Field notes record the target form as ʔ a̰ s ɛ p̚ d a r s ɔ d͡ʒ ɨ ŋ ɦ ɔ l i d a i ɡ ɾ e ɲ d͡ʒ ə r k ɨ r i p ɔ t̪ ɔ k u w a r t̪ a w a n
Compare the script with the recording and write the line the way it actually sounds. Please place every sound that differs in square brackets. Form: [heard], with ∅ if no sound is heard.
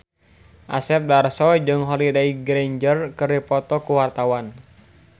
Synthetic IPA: ʔ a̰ s ɛ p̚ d a r s ɔ d͡ʒ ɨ ŋ ɦ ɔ l i d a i ɡ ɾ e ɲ d͡ʒ ə r k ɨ r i p ɔ t̪ ɔ k u w a r t̪ a w a n